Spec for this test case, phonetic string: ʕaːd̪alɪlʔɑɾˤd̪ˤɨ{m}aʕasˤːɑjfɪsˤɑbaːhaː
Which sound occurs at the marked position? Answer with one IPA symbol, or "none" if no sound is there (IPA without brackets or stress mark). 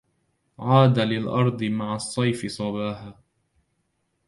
m